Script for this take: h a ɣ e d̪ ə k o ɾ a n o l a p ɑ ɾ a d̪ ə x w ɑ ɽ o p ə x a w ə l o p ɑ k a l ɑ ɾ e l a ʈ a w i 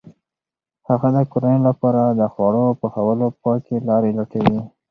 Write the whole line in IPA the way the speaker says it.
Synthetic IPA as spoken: h a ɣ a d̪ ə k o ɾ a n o l a p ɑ ɾ a d̪ ə x w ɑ ɽ o p ə x a w ə l o p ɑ k e l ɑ ɾ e l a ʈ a w i